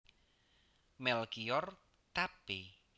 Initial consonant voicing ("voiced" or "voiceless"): voiced